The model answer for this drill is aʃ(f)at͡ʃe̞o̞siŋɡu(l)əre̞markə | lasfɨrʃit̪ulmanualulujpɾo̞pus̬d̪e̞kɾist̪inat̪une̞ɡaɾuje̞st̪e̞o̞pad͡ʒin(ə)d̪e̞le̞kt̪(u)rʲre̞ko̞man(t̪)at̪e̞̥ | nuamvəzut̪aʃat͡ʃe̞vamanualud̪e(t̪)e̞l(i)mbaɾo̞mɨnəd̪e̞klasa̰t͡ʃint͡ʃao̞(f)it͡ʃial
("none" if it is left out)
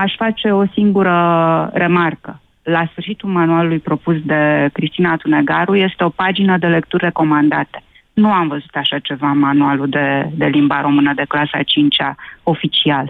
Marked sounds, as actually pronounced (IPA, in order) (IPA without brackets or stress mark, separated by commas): f, ɾ, ə, u, d̪, d̪, i, f